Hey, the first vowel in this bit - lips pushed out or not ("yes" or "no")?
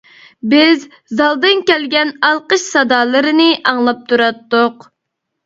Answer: no